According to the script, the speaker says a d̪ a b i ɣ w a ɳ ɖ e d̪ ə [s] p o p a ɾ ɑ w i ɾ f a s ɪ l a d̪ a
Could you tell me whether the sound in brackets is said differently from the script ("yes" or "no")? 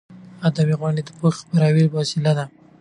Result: yes